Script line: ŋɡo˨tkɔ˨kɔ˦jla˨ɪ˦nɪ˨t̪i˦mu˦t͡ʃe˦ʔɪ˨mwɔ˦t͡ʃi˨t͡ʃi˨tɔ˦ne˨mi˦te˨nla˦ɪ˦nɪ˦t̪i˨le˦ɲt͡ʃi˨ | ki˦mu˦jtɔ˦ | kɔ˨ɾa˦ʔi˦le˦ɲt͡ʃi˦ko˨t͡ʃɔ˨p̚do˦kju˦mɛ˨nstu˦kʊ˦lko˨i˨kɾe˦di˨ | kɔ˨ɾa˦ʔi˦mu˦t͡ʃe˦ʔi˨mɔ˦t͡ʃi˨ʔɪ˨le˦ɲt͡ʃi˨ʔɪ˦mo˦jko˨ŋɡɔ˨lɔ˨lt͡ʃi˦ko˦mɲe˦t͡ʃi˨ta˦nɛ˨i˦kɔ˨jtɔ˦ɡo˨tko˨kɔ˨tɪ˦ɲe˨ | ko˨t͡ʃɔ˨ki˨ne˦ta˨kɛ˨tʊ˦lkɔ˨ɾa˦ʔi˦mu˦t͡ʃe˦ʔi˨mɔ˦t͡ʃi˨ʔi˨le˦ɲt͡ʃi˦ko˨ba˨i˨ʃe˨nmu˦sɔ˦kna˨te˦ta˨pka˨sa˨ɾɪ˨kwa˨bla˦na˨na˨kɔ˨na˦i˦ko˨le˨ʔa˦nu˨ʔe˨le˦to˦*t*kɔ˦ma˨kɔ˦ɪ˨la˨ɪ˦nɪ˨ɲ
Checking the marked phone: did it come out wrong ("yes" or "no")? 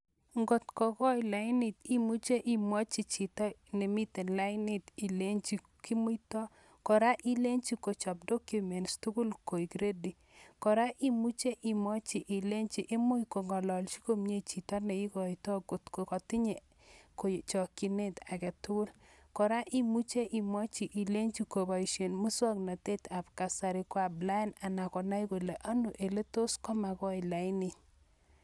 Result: yes